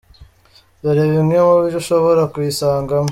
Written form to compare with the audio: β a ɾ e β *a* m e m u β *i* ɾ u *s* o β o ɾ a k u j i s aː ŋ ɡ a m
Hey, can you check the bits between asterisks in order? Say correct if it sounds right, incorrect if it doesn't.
incorrect: i, correct, incorrect: ʃ

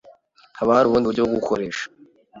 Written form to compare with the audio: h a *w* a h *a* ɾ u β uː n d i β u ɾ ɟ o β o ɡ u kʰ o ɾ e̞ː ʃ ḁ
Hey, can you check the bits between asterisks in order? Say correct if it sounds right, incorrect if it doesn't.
incorrect: β, correct

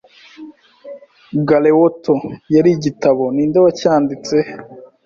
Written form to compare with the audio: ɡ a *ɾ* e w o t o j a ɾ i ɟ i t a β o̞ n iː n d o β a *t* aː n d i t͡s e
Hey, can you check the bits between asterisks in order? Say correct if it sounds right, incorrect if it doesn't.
incorrect: l, incorrect: c

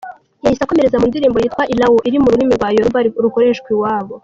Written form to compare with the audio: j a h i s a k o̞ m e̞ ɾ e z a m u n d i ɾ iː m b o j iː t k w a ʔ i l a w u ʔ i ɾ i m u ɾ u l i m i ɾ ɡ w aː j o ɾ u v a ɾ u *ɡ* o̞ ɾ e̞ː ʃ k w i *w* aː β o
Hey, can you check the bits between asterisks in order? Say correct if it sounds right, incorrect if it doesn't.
incorrect: k, correct

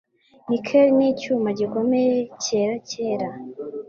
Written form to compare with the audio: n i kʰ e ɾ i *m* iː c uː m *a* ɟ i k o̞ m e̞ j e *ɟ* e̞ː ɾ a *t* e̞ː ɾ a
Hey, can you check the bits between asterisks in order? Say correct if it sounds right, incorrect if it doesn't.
incorrect: n, correct, incorrect: c, incorrect: c

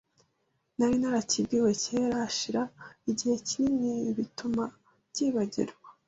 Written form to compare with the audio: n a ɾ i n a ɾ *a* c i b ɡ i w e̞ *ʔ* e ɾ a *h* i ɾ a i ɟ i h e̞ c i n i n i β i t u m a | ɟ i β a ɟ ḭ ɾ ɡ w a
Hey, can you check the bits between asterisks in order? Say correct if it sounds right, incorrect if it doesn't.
correct, incorrect: c, incorrect: ʃ

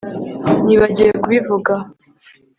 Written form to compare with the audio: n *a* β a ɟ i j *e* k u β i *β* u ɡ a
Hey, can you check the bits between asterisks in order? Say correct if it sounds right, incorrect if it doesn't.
incorrect: i, correct, incorrect: v

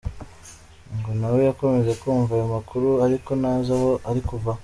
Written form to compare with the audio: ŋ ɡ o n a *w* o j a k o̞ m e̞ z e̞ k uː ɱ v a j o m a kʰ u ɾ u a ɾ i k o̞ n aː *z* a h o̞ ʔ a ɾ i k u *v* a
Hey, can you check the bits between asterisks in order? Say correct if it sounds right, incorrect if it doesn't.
correct, correct, correct

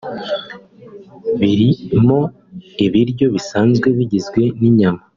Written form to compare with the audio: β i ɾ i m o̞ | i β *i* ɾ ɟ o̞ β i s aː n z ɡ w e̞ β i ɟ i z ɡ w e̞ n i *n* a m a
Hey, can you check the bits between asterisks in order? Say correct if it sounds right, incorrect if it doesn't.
correct, incorrect: ɲ

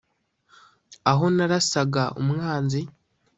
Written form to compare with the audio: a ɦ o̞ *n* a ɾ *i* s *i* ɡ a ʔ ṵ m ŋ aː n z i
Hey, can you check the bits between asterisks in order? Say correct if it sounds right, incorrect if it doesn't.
correct, incorrect: a, incorrect: a

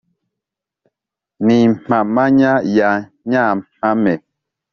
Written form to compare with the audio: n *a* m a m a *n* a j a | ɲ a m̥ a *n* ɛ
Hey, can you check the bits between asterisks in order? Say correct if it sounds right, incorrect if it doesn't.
incorrect: i, incorrect: ɲ, incorrect: m

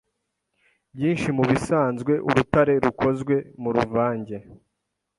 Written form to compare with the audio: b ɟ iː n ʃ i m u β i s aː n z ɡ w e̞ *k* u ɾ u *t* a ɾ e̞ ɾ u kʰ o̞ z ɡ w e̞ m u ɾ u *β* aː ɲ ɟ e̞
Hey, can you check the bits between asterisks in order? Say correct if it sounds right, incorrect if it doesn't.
incorrect: ʔ, correct, incorrect: v

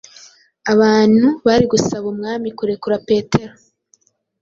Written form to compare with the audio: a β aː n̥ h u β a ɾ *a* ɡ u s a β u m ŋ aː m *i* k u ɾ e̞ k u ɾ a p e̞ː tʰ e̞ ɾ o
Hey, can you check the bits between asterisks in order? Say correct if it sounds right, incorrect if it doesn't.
incorrect: i, correct

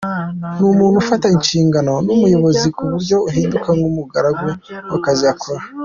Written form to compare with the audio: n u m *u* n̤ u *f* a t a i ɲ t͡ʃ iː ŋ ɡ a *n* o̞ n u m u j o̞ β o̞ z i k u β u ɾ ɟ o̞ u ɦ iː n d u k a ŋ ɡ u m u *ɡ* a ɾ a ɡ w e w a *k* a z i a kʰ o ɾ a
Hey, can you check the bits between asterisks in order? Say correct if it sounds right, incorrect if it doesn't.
incorrect: uː, correct, correct, correct, correct

